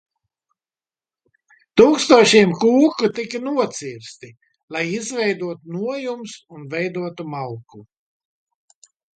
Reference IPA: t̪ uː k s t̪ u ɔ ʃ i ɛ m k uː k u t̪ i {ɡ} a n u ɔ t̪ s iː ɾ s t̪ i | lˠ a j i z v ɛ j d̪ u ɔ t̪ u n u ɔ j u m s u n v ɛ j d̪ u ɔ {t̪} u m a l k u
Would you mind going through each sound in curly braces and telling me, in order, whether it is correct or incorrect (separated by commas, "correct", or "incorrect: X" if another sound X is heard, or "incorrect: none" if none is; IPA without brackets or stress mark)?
incorrect: k, correct